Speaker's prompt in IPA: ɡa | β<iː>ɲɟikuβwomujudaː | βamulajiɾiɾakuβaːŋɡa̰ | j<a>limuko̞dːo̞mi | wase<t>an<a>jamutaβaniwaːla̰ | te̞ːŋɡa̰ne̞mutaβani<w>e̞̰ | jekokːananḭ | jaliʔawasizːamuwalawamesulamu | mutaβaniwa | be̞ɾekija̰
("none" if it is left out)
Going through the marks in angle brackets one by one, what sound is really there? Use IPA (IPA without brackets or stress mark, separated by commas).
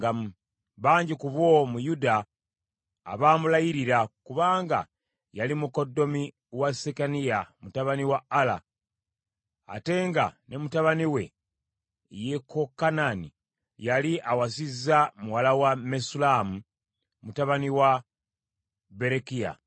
aː, a, k, i, w